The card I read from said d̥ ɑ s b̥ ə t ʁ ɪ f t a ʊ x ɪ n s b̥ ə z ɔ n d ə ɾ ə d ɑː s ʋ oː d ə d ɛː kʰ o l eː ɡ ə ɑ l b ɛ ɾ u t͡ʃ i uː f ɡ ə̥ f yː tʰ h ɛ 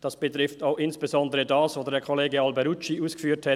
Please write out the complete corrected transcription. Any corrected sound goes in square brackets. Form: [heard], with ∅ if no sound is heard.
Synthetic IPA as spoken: d̥ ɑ s b̥ ə t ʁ ɪ f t a ʊ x ɪ n s b̥ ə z ɔ n d ə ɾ ə d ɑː s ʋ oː d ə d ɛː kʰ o l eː ɡ ə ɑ l b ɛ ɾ u t͡ʃ i uː [s] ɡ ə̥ f yː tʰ h ɛ